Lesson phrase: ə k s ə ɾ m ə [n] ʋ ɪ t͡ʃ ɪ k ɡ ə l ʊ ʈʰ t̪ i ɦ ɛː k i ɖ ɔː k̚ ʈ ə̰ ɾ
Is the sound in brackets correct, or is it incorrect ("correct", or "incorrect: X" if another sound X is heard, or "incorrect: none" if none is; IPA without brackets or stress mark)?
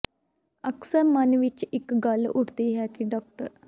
correct